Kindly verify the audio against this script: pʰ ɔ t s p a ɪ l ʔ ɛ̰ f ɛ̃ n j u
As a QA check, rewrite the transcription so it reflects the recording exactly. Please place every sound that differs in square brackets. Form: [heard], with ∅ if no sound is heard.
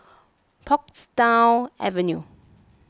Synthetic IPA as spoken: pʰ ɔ [k] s [t] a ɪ l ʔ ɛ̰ [v] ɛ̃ n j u